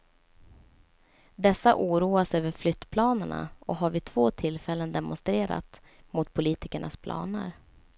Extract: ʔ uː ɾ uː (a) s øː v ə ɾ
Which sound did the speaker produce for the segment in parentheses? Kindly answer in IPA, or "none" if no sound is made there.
a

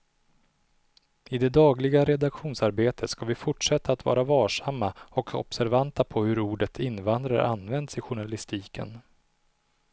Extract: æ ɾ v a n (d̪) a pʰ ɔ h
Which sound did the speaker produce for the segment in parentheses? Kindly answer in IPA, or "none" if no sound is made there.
t̪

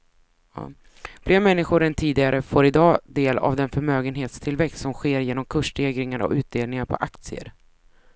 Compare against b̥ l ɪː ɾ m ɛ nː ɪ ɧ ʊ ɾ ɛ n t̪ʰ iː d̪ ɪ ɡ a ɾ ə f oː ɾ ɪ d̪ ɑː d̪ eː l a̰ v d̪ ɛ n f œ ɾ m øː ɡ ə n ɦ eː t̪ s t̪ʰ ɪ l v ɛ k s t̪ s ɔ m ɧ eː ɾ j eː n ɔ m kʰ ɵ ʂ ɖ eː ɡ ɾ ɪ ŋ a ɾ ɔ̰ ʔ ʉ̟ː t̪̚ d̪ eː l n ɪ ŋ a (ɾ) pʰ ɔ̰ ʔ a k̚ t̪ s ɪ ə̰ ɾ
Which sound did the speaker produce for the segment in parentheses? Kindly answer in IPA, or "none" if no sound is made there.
ɾ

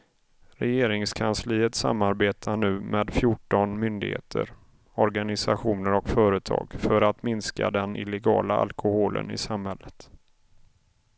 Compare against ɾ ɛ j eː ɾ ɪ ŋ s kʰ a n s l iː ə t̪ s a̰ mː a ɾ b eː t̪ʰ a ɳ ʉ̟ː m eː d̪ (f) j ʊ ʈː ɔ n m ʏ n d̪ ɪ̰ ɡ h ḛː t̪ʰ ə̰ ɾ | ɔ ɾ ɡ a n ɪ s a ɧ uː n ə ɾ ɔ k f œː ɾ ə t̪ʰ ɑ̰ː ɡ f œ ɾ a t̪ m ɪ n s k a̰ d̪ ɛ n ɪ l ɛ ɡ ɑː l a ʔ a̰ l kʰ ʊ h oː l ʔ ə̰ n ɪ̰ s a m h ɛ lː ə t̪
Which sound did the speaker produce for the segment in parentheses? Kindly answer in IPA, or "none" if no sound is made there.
f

